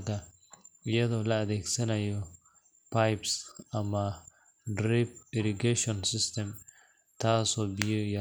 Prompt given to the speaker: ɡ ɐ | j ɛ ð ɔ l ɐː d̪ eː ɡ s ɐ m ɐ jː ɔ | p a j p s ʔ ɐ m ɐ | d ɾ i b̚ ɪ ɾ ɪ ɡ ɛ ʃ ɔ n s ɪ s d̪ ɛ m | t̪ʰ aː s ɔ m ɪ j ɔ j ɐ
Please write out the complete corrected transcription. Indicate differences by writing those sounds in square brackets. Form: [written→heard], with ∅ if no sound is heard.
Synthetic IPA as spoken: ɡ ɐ | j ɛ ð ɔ l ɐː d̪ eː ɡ s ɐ [m→n] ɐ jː ɔ | p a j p s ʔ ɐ m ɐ | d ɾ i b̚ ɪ ɾ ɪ ɡ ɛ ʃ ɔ n s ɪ s [d̪→t̪] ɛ m | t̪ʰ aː s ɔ [m→b] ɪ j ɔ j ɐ